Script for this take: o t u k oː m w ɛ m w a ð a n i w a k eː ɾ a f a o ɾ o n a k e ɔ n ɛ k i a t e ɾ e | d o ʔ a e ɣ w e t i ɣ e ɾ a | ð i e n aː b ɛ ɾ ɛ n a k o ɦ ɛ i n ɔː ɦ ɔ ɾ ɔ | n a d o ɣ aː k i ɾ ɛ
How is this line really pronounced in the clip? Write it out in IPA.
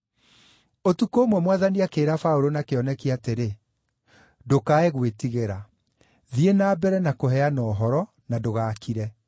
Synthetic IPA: o t u k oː m w ɛ m w a ð a n i a k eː ɾ a f a o ɾ o n a k e ɔ n ɛ k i a t e ɾ e | d o k a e ɣ w e t i ɣ e ɾ a | ð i e n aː b ɛ ɾ ɛ n a k o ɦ ɛ a n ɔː ɦ ɔ ɾ ɔ | n a d o ɣ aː k i ɾ ɛ